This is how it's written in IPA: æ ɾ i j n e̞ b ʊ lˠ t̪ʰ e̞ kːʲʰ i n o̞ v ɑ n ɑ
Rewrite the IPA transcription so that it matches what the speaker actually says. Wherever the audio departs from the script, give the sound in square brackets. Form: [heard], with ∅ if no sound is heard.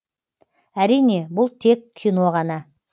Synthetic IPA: æ ɾ i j n e̞ b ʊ lˠ t̪ʰ e̞ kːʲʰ i n o̞ [ʁ] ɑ n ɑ